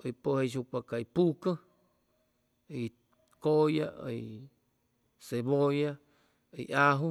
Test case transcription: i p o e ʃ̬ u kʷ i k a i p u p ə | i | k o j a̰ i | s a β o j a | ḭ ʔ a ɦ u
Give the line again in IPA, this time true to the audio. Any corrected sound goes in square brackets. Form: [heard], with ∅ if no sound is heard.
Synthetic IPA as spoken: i p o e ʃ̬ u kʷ [a] k a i p u [k] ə | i | k o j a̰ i | s [e] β o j a | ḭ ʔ a ɦ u